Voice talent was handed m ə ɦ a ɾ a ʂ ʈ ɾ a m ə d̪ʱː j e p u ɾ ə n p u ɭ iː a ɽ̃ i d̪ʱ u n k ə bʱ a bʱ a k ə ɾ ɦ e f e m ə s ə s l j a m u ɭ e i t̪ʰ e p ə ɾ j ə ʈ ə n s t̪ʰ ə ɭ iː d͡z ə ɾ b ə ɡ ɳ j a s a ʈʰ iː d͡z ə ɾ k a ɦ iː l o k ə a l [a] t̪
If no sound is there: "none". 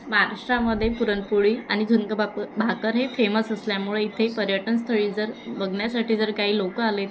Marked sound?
e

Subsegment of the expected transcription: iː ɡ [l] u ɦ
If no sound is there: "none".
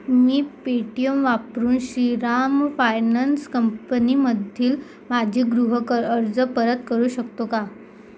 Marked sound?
ɾ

